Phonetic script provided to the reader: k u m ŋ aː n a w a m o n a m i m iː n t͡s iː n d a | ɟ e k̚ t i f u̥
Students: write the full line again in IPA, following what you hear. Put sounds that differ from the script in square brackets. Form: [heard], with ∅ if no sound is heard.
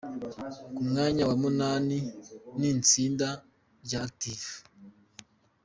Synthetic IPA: k u m ŋ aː [ɲ] a w a m [u] n a [n] i [n] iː n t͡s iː n d a | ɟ [a] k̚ t i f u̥